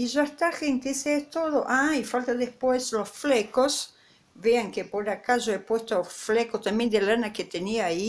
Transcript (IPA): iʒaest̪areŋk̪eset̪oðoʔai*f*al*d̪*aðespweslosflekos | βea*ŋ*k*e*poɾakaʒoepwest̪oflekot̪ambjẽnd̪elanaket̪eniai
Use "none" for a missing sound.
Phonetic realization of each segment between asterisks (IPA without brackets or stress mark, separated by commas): f, t̪, ŋ, e